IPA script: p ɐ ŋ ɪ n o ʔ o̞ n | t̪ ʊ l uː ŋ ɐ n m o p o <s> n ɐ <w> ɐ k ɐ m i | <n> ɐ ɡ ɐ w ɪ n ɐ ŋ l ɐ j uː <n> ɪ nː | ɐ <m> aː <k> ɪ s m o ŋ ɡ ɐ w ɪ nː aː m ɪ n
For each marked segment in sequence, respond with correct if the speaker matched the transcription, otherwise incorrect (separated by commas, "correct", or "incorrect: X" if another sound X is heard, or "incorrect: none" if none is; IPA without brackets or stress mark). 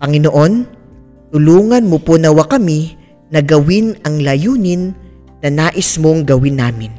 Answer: incorrect: none, correct, correct, correct, incorrect: n, incorrect: ʔ